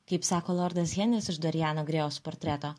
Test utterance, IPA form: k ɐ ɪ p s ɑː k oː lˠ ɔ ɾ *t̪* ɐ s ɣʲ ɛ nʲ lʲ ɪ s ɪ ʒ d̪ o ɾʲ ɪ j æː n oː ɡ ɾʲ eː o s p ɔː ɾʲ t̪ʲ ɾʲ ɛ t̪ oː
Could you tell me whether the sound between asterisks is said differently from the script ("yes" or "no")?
yes